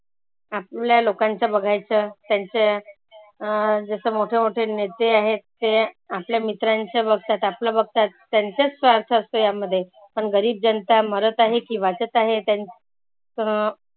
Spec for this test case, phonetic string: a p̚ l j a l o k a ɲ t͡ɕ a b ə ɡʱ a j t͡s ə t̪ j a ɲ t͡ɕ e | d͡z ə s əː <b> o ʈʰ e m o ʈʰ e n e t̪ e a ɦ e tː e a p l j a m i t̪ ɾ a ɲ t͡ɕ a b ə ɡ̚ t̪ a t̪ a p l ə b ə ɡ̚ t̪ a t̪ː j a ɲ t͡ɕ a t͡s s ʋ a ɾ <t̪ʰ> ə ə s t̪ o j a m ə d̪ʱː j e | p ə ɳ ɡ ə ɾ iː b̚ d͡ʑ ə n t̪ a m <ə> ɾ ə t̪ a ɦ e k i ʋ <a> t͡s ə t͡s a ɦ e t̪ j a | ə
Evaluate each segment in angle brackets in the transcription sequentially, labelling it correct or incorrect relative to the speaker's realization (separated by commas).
incorrect, correct, correct, correct